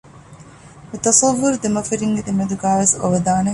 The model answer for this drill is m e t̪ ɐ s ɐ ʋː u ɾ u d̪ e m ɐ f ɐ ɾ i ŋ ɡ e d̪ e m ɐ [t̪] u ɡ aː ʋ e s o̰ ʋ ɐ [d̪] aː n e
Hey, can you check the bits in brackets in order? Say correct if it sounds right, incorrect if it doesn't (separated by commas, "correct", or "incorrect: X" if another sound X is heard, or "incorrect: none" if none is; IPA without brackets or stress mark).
incorrect: d̪, correct